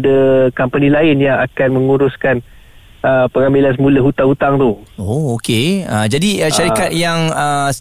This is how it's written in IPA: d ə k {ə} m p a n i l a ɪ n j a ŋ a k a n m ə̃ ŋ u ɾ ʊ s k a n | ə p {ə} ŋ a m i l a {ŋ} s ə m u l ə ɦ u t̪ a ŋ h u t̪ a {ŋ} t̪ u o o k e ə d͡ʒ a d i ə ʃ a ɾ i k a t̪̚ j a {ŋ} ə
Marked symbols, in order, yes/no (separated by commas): no, yes, no, yes, yes